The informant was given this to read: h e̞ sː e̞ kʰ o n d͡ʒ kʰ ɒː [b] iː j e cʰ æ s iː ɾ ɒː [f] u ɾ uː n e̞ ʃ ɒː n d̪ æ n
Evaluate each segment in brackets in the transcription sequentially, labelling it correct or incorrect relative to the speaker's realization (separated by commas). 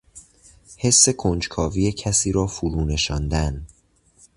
incorrect, correct